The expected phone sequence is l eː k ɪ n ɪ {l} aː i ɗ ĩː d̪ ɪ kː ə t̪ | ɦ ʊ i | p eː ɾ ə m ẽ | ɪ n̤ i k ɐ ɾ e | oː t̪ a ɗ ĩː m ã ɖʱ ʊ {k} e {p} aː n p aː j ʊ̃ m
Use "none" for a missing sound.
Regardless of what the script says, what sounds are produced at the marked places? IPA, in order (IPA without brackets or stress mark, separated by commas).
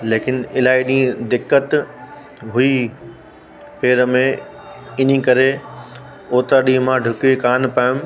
l, k, k